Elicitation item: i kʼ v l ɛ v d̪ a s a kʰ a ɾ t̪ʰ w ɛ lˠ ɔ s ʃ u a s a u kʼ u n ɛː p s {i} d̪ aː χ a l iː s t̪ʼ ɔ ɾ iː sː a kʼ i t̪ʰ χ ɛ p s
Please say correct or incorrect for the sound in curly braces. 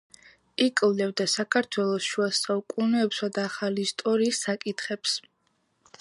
incorrect